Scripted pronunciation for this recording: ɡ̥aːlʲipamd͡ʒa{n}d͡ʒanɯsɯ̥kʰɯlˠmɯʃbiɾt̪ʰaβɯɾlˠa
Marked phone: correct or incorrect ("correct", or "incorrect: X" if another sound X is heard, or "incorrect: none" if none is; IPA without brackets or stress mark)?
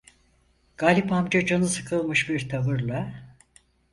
incorrect: none